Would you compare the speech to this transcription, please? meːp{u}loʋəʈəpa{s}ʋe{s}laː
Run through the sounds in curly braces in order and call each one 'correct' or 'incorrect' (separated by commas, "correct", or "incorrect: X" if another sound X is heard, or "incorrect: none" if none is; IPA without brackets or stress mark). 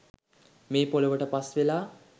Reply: incorrect: o, correct, incorrect: none